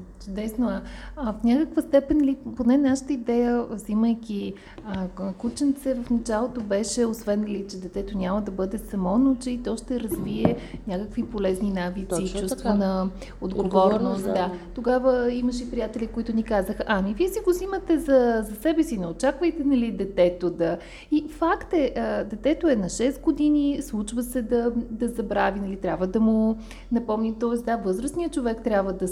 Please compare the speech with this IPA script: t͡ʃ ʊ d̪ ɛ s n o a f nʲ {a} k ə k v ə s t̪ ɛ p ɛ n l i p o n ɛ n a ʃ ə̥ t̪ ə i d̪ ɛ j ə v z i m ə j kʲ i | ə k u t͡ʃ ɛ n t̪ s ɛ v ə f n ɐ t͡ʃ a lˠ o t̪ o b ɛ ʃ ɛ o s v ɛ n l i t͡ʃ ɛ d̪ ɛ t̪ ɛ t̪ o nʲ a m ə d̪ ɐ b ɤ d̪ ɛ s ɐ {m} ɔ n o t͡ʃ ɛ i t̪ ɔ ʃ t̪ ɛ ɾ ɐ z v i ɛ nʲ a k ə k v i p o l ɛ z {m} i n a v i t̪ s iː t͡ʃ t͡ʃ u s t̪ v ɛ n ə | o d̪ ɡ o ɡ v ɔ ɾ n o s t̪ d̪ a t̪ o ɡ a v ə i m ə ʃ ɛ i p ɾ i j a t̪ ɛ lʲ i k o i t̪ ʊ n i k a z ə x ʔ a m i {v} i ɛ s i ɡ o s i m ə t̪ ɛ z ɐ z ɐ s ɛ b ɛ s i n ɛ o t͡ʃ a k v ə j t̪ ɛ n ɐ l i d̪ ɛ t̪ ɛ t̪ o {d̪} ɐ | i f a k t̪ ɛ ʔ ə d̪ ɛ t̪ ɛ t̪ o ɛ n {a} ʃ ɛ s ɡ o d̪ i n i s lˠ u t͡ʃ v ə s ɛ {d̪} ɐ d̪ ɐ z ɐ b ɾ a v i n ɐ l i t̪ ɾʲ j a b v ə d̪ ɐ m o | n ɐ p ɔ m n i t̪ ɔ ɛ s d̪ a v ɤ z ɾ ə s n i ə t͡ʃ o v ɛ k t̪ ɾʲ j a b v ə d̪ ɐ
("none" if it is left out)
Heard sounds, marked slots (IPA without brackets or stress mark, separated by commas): a, m, n, v, d̪, ɐ, d̪